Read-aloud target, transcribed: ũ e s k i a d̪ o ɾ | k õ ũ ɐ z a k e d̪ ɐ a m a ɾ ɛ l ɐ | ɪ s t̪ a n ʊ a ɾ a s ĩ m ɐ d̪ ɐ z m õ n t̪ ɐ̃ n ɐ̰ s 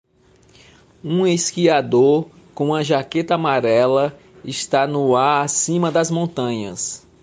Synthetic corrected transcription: ũ e s k i a d̪ o ɾ | k õ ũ ɐ ʒ a k e t̪ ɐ a m a ɾ ɛ l ɐ | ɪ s t̪ a n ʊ a ɾ a s ĩ m ɐ d̪ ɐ z m õ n t̪ ɐ̃ ɲ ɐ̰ s